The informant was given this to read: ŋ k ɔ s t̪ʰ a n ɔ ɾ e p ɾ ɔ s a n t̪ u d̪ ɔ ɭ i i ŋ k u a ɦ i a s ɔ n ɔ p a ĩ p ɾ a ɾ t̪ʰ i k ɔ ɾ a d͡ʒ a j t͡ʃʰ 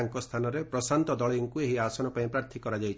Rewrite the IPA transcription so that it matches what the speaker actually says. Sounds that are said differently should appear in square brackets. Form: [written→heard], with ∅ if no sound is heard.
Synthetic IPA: ŋ k ɔ s t̪ʰ a n ɔ ɾ e p ɾ ɔ s a n t̪ [u→ɔ] d̪ ɔ ɭ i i ŋ k u [a→e] ɦ i a s ɔ n ɔ p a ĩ p ɾ a ɾ t̪ʰ i k ɔ ɾ a d͡ʒ a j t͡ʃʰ